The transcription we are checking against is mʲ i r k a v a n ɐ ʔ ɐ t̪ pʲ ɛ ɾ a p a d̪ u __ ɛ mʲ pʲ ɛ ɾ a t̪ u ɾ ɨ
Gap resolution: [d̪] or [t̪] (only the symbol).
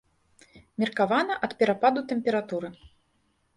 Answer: t̪